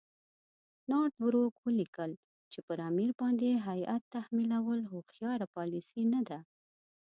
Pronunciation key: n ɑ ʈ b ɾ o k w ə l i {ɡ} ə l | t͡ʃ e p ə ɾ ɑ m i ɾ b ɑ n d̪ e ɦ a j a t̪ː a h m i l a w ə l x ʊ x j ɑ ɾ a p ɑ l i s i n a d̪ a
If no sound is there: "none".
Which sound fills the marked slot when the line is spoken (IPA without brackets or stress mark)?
k